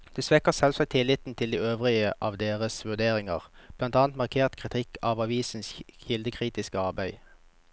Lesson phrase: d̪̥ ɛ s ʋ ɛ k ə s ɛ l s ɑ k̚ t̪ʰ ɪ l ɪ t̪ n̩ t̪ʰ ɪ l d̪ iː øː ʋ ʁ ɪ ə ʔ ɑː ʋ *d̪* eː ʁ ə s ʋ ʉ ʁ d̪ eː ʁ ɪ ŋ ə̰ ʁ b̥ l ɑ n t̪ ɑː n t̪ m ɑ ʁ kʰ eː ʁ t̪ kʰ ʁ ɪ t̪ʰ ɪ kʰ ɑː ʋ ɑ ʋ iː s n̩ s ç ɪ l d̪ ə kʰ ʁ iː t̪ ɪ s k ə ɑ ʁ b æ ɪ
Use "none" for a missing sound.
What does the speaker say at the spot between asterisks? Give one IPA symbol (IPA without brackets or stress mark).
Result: d̪